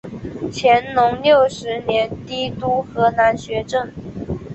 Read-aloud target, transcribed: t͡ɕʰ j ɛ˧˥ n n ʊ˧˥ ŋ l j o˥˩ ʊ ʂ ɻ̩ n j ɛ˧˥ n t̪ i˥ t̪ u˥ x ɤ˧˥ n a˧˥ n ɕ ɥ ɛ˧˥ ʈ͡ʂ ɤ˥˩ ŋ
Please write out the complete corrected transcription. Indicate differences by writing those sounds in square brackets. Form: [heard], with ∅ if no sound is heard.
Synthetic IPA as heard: t͡ɕʰ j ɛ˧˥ n n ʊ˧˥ ŋ l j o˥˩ ʊ ʂ ɻ̩ n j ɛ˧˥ n t̪ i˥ t̪ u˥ x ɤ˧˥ n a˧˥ n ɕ ɥ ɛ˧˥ ʈ͡ʂ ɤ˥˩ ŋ